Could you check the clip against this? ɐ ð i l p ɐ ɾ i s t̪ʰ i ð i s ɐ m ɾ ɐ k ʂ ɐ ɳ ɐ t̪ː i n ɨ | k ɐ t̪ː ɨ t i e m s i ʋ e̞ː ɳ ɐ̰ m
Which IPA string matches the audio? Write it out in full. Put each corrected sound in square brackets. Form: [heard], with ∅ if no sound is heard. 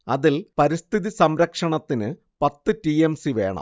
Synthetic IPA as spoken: ɐ ð i l p ɐ ɾ i s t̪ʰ i ð i s ɐ m ɾ ɐ k ʂ ɐ ɳ ɐ t̪ː i n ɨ | [p] ɐ t̪ː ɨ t i e m s i ʋ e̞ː ɳ ɐ̰ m